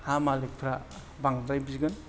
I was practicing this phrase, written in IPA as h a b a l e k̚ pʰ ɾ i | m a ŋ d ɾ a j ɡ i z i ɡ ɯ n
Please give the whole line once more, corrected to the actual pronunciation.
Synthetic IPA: h a m a l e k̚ pʰ ɾ a | b a ŋ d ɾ a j b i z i ɡ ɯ n